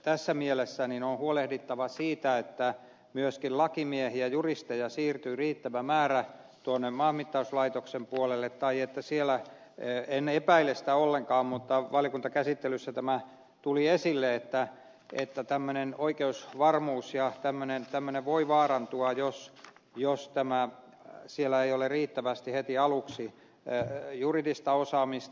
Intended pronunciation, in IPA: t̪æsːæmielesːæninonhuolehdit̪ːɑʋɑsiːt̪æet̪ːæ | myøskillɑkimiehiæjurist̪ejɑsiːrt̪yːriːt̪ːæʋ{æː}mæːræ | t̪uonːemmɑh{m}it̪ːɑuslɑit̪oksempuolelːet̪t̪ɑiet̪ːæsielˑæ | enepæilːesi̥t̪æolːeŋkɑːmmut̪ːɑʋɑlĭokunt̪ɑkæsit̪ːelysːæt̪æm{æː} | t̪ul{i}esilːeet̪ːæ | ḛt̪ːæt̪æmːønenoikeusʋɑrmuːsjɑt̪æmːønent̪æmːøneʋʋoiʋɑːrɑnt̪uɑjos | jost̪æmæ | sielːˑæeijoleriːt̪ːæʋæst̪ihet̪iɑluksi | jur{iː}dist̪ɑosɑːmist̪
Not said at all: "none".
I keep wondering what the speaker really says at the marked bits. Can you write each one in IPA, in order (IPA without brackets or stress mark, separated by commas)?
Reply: æ, m, æ, i, i